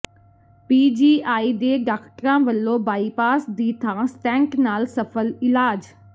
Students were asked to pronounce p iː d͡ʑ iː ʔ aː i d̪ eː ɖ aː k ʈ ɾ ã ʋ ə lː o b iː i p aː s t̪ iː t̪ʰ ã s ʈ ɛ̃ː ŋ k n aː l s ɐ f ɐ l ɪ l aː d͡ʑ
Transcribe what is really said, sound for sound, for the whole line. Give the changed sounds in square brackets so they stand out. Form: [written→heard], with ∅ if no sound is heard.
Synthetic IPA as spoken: p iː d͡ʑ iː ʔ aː i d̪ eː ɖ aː k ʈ ɾ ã ʋ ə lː o b [iː→aː] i p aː s [t̪→d̪] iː t̪ʰ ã s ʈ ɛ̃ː ŋ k n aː l s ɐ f [ɐ→ə] l ɪ l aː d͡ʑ